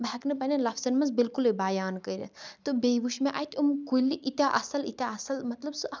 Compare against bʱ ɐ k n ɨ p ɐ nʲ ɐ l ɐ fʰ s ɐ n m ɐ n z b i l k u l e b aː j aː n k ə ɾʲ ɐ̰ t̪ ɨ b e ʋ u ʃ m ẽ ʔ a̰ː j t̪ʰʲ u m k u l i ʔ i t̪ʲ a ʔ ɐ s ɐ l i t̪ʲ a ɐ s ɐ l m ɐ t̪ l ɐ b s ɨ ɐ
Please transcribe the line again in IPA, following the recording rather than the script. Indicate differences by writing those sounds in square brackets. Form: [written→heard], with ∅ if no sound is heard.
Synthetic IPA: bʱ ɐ k n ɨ p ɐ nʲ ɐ l ɐ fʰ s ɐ n m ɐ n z b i l k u l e b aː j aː n k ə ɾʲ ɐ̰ t̪ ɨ b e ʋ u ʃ m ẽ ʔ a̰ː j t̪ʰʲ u m k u l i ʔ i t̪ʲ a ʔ ɐ s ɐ l i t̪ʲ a ɐ s ɐ l m ɐ t̪ l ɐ b s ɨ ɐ